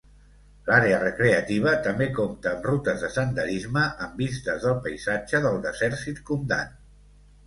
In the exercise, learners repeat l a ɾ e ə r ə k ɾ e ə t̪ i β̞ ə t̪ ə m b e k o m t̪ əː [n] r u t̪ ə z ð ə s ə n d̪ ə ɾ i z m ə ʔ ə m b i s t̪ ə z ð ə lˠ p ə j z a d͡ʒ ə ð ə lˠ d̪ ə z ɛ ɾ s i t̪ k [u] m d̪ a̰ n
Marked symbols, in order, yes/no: no, yes

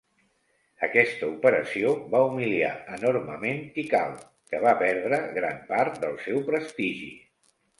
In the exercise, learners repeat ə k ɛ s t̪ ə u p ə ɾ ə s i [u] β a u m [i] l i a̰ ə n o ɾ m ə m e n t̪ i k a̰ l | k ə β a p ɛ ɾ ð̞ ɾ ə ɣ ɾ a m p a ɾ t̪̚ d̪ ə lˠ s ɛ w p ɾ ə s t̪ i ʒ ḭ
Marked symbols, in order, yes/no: no, yes

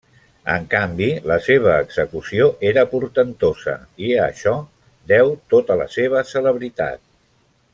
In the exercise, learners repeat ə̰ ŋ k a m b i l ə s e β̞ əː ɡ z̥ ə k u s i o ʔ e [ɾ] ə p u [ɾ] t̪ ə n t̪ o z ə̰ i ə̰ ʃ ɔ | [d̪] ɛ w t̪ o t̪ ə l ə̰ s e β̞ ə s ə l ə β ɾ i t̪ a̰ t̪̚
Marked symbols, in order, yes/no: yes, yes, yes

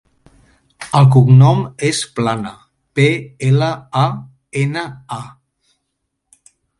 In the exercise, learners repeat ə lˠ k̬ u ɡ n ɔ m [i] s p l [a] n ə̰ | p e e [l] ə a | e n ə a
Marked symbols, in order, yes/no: no, yes, yes

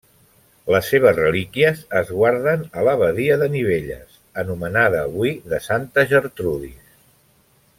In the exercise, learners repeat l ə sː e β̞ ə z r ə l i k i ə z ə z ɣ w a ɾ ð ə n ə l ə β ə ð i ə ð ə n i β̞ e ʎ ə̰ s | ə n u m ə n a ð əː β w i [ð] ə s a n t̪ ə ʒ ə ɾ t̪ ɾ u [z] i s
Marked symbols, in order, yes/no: yes, no

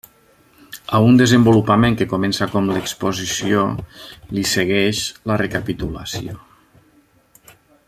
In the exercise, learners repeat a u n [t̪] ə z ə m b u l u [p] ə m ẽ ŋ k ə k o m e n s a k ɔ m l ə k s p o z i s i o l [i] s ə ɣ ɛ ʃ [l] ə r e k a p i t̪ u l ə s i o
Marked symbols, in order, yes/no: no, yes, yes, yes

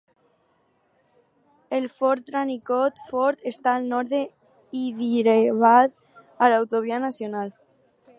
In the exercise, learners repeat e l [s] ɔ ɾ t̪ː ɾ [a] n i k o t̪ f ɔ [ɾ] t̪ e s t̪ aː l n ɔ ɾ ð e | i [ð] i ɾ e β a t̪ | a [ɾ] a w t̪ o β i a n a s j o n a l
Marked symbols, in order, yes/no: no, yes, yes, yes, no

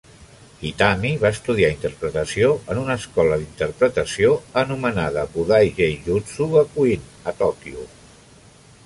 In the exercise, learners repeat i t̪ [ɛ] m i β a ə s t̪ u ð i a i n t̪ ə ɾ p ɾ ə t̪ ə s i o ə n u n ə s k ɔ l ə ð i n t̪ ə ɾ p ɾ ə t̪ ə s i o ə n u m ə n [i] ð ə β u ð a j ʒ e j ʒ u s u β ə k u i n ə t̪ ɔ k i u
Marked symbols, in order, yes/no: no, no

